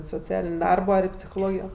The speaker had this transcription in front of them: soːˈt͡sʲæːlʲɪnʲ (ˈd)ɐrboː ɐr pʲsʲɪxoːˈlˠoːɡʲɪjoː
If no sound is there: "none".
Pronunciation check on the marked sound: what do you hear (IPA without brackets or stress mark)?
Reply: d